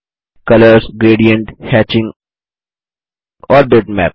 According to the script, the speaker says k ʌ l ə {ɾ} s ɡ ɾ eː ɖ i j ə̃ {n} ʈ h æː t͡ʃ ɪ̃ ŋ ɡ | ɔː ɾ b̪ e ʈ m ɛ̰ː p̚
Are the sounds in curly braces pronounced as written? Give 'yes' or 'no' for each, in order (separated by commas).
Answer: yes, no